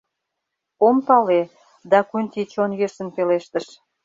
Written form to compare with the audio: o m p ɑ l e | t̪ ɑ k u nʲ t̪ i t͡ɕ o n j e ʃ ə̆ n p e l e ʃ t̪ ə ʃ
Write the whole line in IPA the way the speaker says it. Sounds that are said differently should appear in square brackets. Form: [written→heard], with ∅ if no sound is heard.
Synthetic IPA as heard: o m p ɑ l e | [t̪→d̪] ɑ k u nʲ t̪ i t͡ɕ o n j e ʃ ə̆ n p e l e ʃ t̪ ə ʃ